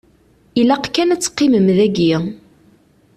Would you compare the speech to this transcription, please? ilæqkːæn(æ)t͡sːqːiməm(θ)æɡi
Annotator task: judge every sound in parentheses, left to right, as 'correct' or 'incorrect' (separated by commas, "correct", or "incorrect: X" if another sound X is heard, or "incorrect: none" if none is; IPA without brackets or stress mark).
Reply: correct, incorrect: ð